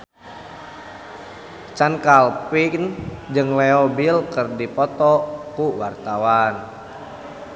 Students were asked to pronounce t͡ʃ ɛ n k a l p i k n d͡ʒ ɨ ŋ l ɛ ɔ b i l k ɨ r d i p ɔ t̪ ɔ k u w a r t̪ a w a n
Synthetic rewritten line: t͡ʃ a n k a l p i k n d͡ʒ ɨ ŋ l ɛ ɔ b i l k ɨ r d i p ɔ t̪ ɔ k u w a r t̪ a w a n